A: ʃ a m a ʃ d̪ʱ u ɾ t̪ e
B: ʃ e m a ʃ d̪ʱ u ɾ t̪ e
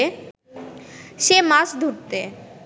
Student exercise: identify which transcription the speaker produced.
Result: B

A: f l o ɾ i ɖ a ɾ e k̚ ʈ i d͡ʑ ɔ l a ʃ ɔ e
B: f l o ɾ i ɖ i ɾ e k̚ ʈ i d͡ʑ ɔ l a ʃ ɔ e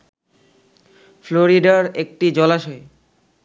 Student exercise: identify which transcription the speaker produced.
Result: A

